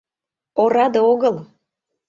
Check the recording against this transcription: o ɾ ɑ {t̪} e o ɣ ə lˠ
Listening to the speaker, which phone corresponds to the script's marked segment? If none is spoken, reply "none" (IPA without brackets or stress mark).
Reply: d̪